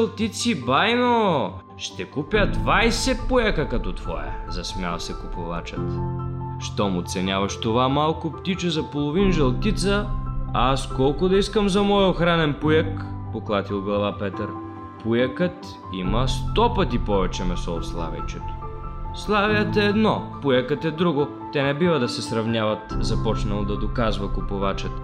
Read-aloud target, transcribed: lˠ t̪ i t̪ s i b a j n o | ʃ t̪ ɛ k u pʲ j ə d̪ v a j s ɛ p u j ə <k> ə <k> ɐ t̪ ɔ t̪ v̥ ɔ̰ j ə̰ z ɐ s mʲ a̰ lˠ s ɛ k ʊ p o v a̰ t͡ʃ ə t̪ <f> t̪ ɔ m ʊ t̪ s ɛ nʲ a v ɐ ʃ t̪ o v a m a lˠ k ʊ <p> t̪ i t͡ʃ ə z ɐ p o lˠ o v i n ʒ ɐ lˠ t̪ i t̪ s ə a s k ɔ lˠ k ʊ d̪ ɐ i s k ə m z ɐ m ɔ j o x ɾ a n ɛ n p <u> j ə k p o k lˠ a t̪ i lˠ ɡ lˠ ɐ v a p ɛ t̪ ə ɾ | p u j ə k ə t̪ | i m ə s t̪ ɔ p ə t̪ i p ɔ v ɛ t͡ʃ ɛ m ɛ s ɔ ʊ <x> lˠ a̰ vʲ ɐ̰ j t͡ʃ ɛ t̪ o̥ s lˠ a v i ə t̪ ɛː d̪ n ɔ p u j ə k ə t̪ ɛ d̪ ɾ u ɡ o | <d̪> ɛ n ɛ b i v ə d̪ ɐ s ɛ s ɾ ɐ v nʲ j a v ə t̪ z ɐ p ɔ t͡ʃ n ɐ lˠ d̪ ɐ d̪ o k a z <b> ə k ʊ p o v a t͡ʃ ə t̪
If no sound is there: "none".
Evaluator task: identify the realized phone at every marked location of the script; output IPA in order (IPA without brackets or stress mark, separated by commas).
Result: k, k, ʃ, p, u, s, t̪, v